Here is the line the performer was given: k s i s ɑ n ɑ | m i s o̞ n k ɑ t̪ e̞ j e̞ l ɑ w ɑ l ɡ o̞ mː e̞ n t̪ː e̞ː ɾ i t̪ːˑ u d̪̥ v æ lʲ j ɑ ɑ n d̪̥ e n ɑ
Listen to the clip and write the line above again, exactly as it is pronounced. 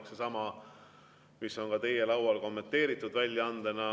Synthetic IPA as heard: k s e s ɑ m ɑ | m i s o̞ n k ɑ t̪ e̞ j e̞ l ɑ w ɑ l k o̞ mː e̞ n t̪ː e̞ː ɾ i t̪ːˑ u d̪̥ v æ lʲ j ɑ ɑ n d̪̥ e n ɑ